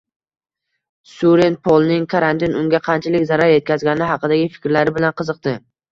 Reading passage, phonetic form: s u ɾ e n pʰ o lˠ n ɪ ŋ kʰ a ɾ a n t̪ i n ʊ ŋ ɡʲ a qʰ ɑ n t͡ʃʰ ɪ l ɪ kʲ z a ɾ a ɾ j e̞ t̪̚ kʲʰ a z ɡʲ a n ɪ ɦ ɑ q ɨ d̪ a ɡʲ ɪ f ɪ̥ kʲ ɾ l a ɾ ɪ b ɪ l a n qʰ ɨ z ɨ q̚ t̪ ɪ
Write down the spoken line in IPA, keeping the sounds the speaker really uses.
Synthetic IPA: s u ɾ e n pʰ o lˠ n ɪ ŋ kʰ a ɾ a n t̪ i n ʊ ŋ ɡʲ a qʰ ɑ n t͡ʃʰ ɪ l ɪ kʲ z a ɾ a ɾ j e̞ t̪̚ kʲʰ a z ɡʲ a n ɪ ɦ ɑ q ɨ d̪ a ɡʲ ɪ f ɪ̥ kʲ ɾ l a ɾ ɪ b ɪ l a n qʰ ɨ z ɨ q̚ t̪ ɪ